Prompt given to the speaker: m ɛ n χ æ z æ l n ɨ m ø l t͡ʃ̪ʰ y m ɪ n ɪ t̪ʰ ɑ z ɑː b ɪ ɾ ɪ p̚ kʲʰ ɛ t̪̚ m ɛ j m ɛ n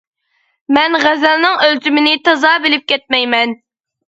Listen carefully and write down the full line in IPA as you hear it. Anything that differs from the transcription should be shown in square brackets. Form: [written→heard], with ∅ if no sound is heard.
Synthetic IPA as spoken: m ɛ n [χ→ʁ] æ z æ l n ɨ [m→ŋ] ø l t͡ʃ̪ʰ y m ɪ n ɪ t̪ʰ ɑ z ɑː b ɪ [ɾ→l] ɪ p̚ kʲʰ ɛ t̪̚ m ɛ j m ɛ n